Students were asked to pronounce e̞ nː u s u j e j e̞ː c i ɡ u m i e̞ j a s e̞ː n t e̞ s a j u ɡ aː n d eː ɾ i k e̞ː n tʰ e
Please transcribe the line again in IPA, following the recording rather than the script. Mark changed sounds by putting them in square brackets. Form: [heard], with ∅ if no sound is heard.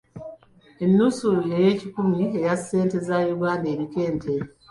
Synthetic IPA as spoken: e̞ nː u s u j e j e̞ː c i [k] u m i e̞ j a s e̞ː n t e̞ [z] a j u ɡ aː n d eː ɾ i k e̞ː n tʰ e